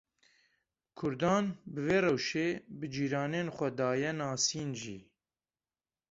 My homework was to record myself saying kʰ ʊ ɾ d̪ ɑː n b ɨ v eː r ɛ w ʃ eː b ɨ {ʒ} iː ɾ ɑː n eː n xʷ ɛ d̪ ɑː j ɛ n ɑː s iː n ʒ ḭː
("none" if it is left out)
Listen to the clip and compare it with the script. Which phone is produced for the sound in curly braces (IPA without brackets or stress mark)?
d͡ʒ